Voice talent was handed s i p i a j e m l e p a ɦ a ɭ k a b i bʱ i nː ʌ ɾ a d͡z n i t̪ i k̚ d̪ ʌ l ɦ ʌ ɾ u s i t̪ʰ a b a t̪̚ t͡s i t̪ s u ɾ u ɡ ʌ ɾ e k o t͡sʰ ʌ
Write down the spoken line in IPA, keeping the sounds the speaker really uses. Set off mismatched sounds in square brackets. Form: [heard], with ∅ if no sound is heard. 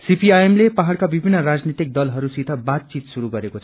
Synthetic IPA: s i p i a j e m l e p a ɦ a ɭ k a b i bʱ i nː ʌ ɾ a d͡z n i t̪ i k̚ d̪ ʌ l ɦ ʌ ɾ u s i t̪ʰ [ʌ] b a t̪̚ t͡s i t̪ s u ɾ u ɡ ʌ ɾ e k o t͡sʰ ʌ